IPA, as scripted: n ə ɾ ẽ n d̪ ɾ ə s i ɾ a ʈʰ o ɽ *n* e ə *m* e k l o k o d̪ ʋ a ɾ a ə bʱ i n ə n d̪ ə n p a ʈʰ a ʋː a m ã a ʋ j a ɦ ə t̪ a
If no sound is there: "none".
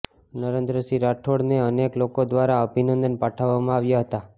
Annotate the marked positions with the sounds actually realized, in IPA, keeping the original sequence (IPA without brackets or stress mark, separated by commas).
n, n